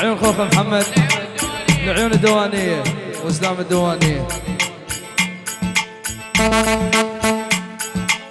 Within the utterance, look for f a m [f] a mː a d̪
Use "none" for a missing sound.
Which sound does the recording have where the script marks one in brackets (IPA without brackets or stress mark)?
ħ